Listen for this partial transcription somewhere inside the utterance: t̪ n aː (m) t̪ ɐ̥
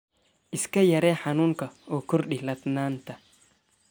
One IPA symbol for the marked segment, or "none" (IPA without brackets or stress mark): n